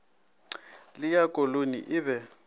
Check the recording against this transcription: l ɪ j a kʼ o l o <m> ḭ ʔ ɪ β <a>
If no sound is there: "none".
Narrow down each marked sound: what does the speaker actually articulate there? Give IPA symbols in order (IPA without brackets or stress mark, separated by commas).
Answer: n, ɛ